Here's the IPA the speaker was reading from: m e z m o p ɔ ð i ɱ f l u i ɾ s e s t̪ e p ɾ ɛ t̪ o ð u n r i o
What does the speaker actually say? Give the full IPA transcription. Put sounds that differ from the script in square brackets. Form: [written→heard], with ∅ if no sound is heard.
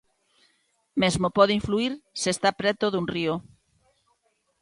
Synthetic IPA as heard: m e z m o p ɔ ð i ɱ f l u i ɾ s e s t̪ [e→a] p ɾ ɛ t̪ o ð u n r i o